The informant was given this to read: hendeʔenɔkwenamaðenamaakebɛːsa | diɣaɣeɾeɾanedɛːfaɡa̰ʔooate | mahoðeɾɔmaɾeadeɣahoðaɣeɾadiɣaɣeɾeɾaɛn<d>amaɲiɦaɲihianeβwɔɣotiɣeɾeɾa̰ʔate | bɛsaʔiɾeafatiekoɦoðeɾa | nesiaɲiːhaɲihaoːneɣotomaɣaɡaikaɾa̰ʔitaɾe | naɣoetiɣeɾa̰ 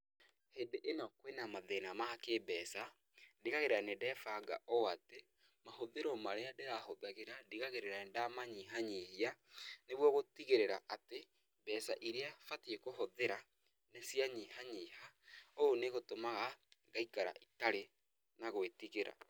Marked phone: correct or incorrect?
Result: correct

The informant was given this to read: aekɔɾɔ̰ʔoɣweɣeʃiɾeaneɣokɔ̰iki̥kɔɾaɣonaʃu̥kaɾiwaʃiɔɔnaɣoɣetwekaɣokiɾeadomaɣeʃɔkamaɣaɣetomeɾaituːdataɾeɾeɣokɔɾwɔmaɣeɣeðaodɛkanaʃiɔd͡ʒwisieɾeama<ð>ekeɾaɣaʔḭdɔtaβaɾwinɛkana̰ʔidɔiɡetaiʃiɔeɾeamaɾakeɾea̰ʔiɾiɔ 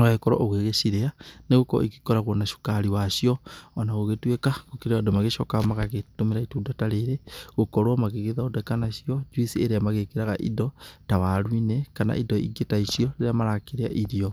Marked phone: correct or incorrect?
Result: incorrect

